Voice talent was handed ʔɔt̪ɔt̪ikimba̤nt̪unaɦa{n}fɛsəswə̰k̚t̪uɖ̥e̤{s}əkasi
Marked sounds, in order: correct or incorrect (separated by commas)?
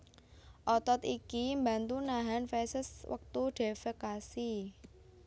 correct, incorrect